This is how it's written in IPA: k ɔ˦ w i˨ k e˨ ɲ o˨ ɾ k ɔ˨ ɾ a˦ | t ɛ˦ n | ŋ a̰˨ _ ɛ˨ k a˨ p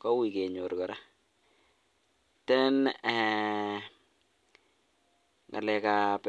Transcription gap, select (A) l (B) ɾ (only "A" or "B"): A